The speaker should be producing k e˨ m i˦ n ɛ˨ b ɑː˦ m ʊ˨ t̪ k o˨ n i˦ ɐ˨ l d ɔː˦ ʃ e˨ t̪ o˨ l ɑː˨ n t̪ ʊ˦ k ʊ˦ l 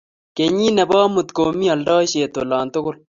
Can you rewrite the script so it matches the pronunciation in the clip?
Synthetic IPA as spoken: k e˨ ɲ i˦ n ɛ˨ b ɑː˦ m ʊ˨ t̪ k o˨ m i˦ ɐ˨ l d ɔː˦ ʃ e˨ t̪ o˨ l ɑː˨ n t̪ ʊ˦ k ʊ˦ l